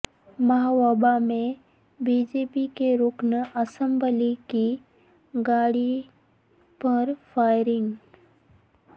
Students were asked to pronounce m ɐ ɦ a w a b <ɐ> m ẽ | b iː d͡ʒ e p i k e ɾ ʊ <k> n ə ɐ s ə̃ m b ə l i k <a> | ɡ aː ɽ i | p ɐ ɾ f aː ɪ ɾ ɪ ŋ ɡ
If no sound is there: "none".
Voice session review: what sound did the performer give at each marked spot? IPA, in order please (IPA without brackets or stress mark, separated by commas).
a, k, i